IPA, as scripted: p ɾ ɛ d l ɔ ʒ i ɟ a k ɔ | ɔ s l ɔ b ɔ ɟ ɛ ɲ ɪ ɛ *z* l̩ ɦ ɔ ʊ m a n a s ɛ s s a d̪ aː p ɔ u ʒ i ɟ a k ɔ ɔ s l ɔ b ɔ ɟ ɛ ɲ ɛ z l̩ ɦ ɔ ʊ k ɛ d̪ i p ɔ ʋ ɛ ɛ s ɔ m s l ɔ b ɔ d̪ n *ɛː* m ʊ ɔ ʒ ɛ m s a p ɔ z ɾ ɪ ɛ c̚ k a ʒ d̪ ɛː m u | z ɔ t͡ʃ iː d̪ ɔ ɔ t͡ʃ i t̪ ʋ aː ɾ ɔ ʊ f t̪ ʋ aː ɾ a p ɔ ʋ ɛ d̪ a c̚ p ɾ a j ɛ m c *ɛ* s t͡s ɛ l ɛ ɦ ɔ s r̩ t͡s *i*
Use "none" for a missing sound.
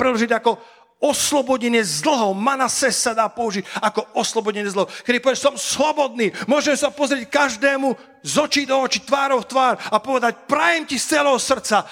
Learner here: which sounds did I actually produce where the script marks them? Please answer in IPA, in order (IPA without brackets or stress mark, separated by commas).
z, iː, i, a